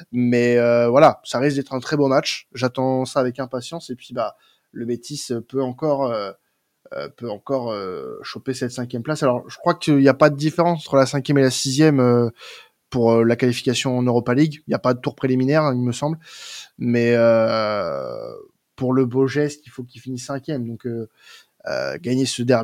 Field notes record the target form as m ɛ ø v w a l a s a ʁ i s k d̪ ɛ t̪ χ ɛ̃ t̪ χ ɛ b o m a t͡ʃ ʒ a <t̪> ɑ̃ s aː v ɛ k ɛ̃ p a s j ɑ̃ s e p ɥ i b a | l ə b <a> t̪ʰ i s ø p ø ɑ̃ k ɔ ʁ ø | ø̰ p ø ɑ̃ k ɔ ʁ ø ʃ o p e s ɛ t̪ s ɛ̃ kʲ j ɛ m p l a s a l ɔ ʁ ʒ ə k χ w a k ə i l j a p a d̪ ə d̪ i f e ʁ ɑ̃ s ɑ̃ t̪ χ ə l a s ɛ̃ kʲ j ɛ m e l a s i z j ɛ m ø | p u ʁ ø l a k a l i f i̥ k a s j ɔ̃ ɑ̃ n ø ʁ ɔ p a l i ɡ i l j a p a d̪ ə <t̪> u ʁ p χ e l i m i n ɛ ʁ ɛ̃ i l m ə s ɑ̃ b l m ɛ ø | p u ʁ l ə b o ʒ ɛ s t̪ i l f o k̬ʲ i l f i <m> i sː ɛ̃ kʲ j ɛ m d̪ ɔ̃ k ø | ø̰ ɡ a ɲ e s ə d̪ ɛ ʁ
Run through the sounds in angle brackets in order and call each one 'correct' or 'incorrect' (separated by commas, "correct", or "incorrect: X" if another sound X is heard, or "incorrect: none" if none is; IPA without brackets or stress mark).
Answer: correct, incorrect: e, correct, incorrect: n